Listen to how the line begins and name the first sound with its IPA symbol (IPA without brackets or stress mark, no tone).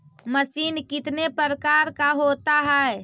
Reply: m